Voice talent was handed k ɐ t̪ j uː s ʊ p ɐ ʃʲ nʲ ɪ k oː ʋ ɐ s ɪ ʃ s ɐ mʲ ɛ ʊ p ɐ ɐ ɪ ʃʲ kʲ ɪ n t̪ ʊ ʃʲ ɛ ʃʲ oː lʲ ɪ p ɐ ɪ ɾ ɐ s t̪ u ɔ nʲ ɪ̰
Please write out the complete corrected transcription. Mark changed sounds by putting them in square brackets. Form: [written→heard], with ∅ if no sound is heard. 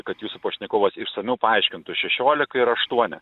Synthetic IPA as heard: k ɐ t̪ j uː s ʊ p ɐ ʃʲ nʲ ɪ k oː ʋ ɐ s ɪ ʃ s ɐ mʲ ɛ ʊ p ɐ ɐ ɪ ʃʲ kʲ ɪ n t̪ ʊ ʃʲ ɛ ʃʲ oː lʲ ɪ [p→k] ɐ ɪ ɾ ɐ [s→ʃ] t̪ u ɔ nʲ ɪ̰